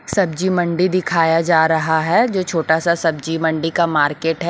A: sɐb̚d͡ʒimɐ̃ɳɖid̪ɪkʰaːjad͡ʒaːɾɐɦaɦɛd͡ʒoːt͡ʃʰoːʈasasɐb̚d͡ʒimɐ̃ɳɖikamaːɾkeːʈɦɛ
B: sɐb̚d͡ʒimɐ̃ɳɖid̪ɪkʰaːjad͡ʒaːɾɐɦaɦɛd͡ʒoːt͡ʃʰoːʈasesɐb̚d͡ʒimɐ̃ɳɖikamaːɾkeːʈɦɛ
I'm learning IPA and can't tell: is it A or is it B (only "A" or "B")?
A